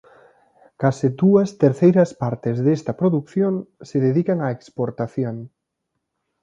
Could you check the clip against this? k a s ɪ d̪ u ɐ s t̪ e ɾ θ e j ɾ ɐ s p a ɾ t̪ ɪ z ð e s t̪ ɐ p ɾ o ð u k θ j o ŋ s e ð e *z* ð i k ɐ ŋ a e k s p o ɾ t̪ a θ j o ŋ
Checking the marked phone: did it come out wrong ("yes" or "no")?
yes